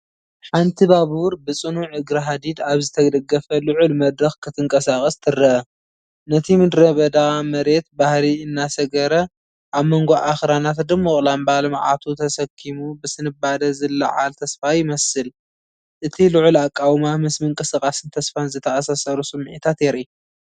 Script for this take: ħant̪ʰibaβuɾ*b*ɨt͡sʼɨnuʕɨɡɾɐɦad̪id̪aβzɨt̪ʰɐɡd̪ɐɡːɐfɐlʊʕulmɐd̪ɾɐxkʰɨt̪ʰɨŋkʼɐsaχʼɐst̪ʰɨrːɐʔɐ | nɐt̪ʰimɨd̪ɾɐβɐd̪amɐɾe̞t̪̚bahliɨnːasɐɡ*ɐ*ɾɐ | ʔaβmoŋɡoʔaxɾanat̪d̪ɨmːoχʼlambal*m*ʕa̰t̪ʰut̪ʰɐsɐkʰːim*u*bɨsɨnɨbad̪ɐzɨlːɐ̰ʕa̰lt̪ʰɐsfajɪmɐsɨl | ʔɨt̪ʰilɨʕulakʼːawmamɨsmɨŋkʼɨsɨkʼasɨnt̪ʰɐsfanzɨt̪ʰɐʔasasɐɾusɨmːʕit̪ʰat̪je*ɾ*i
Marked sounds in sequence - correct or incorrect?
correct, correct, correct, correct, correct

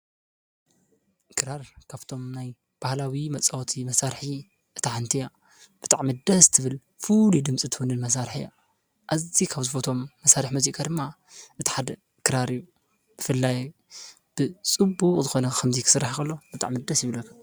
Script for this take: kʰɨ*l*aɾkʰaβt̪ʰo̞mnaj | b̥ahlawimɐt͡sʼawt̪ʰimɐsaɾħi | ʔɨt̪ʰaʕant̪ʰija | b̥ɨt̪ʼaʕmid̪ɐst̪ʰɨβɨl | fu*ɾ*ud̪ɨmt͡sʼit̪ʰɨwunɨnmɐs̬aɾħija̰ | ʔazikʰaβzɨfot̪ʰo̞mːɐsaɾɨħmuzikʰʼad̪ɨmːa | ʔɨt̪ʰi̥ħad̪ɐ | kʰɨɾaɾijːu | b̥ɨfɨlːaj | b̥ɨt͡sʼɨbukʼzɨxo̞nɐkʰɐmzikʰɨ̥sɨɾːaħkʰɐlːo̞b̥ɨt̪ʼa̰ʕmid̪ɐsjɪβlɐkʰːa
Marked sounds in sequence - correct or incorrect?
incorrect: ɾ, incorrect: l

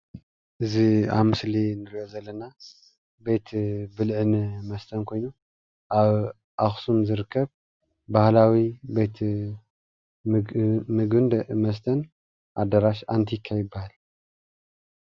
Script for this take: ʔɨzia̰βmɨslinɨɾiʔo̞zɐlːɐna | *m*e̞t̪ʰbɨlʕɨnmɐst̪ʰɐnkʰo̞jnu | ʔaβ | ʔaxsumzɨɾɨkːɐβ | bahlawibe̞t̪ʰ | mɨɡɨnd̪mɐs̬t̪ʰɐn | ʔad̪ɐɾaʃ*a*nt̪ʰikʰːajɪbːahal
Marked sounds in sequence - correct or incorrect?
incorrect: b, correct

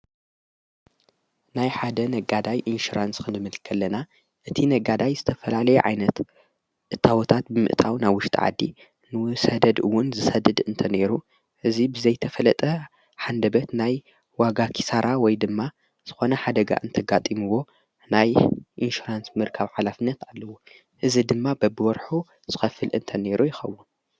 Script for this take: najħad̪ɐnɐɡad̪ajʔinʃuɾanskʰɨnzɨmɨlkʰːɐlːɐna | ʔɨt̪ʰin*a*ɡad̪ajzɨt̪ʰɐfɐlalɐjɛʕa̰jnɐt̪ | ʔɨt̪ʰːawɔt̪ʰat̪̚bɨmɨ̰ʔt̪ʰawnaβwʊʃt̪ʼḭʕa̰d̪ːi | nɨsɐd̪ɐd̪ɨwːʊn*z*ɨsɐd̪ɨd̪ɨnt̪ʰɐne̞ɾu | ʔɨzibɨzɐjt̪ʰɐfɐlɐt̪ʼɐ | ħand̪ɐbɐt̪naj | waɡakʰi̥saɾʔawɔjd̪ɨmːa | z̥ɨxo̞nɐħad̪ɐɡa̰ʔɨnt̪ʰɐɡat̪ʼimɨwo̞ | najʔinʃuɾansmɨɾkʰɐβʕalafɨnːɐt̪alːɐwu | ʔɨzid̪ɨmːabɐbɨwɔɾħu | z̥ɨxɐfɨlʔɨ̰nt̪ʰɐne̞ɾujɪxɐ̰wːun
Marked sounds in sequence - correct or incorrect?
incorrect: ɐ, correct

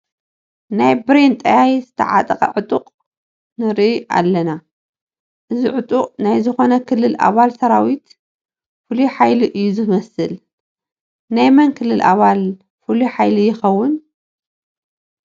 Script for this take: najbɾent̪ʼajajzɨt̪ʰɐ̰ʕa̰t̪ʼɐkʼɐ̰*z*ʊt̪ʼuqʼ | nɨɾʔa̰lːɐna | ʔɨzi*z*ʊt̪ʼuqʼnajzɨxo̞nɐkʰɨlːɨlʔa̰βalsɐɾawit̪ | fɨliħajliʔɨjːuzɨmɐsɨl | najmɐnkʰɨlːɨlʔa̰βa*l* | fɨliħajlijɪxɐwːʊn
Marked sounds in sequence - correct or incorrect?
incorrect: ʕ, incorrect: ʕ, correct

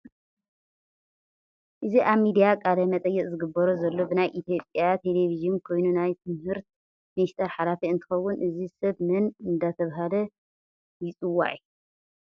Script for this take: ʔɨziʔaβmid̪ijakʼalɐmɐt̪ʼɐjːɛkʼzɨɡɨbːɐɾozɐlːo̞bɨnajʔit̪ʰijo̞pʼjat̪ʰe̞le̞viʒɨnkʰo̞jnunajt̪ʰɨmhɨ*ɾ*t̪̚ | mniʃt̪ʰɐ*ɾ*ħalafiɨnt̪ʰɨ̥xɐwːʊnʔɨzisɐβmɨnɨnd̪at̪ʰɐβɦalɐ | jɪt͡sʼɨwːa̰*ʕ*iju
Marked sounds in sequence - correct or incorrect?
correct, correct, correct

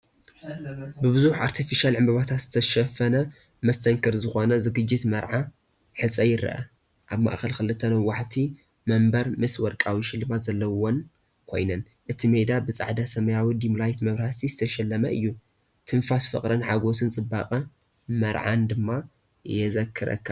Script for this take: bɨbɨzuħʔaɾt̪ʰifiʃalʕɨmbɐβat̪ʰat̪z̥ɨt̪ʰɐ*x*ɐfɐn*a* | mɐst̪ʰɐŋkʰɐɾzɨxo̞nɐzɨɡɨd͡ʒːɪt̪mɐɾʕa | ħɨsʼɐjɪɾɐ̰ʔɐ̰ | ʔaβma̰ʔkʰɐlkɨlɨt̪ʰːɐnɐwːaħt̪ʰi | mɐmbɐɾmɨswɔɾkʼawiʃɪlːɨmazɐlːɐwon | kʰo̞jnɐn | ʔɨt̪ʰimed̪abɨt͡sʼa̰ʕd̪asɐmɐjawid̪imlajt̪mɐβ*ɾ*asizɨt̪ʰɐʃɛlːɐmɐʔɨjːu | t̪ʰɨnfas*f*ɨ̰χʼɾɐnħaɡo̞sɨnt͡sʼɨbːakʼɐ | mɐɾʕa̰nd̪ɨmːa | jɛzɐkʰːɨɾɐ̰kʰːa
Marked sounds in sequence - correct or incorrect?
incorrect: ʃ, incorrect: ɐ, correct, correct

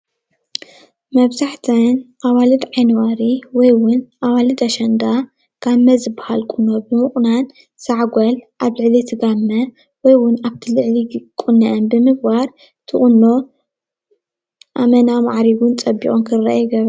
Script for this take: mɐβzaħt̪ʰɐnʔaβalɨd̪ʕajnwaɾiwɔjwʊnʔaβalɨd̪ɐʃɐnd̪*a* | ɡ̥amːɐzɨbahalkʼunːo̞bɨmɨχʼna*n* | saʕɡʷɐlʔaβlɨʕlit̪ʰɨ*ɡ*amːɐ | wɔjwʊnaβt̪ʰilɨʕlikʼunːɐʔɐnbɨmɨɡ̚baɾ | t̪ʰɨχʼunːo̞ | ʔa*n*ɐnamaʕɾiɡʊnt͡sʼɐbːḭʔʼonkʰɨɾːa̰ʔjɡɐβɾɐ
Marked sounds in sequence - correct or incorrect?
correct, correct, correct, incorrect: m

